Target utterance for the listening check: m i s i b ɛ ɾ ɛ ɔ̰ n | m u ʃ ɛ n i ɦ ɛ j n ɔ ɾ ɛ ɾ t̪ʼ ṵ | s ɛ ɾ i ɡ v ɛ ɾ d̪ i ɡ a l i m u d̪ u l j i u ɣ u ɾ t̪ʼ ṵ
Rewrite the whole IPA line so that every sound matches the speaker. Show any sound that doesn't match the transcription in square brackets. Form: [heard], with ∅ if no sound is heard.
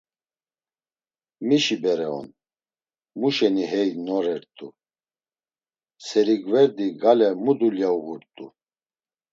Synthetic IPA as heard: m i [ʃ] i b ɛ ɾ ɛ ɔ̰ n | m u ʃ ɛ n i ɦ ɛ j n ɔ ɾ ɛ ɾ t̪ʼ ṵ | s ɛ ɾ i ɡ v ɛ ɾ d̪ i ɡ a l [ɛ] m u d̪ u l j [a] u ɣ u ɾ t̪ʼ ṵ